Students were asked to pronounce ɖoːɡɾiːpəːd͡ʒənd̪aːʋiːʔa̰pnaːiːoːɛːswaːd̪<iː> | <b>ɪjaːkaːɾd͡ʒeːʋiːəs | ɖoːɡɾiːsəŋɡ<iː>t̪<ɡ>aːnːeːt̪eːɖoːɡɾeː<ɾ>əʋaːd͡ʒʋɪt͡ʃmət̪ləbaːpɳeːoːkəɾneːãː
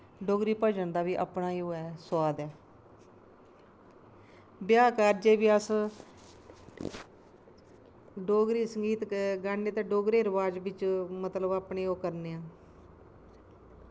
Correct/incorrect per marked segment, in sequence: incorrect: ɛː, correct, correct, correct, correct

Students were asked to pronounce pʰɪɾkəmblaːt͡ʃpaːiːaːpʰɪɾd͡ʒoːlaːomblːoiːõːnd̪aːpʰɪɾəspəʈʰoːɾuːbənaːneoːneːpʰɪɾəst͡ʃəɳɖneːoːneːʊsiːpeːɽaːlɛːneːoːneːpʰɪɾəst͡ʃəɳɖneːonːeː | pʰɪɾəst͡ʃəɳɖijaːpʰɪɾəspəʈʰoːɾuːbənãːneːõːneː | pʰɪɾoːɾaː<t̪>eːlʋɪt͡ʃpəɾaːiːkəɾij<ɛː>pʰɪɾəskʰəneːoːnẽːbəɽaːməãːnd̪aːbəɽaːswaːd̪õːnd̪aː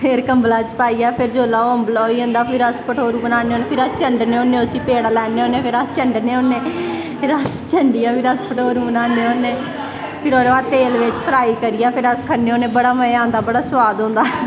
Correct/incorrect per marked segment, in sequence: correct, incorrect: aː

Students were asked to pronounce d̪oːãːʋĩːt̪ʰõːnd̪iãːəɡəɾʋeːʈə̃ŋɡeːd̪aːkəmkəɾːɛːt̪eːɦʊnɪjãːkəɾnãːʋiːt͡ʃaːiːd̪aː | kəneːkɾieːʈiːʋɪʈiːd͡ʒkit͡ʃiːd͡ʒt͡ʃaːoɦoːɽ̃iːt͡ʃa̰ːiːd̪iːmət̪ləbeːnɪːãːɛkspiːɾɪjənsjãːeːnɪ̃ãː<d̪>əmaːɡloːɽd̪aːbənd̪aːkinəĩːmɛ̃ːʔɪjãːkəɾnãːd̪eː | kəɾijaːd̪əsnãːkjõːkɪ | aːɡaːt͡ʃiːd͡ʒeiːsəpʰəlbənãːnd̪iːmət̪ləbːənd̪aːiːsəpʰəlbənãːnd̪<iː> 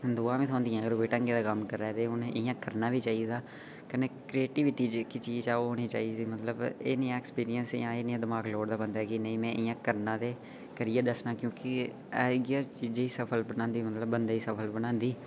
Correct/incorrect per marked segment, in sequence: correct, correct

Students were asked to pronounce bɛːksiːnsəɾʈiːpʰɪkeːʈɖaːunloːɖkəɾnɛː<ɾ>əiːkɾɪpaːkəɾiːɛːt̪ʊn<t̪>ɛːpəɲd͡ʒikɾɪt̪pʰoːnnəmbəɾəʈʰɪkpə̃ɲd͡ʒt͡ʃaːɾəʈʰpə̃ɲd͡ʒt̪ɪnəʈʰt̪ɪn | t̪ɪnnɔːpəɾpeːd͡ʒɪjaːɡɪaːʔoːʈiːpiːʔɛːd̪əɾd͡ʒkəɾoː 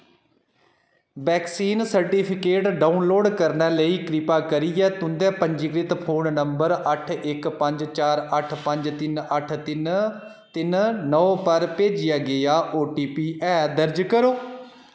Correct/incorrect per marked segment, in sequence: incorrect: l, incorrect: d̪

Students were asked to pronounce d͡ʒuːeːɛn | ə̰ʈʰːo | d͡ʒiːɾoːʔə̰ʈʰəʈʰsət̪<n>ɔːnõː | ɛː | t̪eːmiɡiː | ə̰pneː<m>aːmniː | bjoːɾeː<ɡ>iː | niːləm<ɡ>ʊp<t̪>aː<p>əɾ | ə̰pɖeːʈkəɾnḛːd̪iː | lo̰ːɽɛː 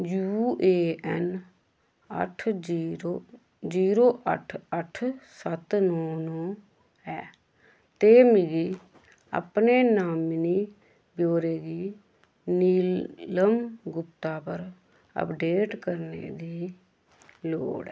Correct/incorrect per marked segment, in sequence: correct, incorrect: n, correct, correct, correct, correct

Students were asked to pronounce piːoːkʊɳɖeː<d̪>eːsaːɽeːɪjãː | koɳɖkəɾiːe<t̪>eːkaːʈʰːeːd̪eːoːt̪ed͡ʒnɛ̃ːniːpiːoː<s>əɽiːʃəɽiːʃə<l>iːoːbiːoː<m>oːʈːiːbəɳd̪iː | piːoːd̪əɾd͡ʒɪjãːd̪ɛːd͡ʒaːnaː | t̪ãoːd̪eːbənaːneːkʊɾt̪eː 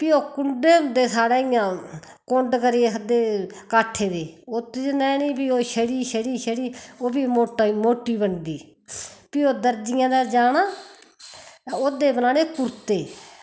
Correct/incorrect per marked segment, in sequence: correct, incorrect: d̪, incorrect: ʃ, incorrect: ɽ, correct

